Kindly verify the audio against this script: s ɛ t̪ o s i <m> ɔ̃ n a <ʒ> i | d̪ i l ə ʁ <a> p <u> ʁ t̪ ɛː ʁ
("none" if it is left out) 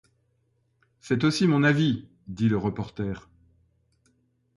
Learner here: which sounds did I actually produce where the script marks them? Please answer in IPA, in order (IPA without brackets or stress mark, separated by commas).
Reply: m, v, ə, ɔ